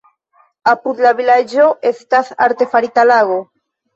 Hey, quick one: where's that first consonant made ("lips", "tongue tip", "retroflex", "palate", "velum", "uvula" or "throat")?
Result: lips